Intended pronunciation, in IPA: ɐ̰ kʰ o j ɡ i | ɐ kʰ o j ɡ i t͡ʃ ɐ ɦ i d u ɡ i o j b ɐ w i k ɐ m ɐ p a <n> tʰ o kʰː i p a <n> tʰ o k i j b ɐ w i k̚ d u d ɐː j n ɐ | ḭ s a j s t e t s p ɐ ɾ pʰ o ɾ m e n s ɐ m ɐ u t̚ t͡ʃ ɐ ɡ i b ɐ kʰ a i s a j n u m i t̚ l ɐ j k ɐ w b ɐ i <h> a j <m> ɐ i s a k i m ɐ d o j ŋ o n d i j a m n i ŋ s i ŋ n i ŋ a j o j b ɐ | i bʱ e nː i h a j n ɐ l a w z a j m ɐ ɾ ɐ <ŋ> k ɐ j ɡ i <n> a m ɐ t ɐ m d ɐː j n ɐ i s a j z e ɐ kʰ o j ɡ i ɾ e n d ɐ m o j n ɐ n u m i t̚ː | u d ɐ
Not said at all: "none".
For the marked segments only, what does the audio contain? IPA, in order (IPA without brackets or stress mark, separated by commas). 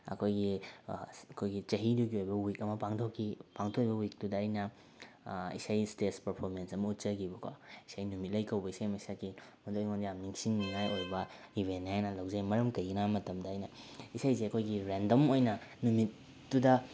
ŋ, ŋ, s, m, m, n